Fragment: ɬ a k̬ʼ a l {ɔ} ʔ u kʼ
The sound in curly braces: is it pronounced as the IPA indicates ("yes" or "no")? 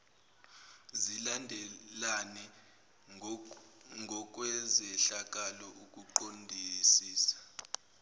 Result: yes